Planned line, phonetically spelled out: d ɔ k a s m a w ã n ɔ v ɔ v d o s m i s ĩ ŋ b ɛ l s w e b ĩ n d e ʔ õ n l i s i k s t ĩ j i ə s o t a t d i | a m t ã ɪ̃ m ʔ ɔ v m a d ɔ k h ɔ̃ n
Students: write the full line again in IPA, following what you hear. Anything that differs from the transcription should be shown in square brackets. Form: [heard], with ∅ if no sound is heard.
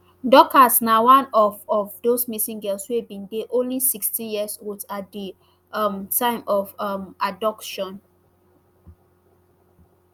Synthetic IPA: d ɔ k a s [n] a w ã n ɔ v ɔ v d o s m i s ĩ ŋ [ɡ] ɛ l s w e b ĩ n d e ʔ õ n l i s i k s t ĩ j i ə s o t a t d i | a m t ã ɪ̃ m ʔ ɔ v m a d ɔ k [ʃ] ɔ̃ n